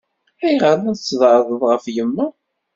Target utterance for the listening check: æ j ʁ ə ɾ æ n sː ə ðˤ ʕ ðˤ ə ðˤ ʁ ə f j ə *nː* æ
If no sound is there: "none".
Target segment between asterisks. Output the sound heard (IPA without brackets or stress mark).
mː